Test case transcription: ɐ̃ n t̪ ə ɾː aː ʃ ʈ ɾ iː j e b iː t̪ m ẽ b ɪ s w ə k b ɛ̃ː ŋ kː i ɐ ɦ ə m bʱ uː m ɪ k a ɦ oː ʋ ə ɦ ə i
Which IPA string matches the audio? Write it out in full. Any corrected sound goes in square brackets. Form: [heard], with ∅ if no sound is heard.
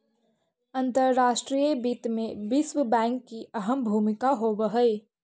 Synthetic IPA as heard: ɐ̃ n t̪ ə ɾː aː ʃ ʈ ɾ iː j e b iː t̪ m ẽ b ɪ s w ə [∅] b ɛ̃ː ŋ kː i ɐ ɦ ə m bʱ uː m ɪ k a ɦ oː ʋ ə ɦ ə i